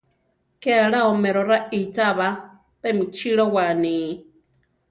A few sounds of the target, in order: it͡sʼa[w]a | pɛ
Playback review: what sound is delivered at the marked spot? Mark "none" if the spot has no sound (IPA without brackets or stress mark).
β